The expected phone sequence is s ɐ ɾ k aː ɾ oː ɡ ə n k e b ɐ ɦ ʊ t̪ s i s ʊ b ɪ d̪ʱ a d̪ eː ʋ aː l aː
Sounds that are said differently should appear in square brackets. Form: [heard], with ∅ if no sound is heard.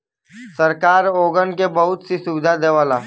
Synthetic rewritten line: s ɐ ɾ k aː ɾ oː ɡ ə n k e b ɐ ɦ ʊ t̪ s i s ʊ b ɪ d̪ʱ a d̪ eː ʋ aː l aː